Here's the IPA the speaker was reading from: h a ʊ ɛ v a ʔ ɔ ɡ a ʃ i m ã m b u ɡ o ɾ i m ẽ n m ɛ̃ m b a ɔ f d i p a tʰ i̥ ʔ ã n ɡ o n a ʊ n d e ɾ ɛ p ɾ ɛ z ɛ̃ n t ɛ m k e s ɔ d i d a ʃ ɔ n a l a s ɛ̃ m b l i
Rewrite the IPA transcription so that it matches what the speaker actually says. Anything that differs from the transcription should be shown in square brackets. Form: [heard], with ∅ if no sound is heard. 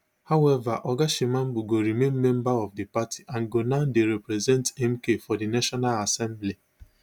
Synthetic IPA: h a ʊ ɛ v a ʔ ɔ ɡ a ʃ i m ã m b u ɡ o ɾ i m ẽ n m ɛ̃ m b a ɔ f d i p a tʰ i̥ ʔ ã n ɡ o n a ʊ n d e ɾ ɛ p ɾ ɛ z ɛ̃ n t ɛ m k e [f] ɔ d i [n] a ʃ ɔ n a l a s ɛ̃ m b l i